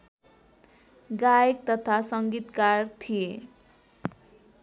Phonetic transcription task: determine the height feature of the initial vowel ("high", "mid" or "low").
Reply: low